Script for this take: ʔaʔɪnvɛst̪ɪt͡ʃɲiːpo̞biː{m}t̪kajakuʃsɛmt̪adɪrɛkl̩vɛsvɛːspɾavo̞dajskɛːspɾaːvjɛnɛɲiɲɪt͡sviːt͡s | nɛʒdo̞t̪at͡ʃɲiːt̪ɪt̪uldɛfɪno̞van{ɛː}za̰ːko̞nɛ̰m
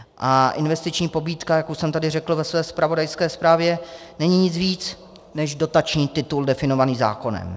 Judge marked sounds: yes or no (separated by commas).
no, no